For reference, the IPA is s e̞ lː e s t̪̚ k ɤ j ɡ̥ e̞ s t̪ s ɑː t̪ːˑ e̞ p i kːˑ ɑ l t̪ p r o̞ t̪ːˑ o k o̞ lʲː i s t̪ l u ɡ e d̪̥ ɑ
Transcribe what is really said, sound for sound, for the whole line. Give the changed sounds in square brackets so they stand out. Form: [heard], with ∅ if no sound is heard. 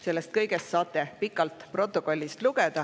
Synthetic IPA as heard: s e̞ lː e s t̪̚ k ɤ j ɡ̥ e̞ s t̪ s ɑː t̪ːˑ e̞ p i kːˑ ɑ l t̪ p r o̞ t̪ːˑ o k o̞ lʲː i s t̪ l u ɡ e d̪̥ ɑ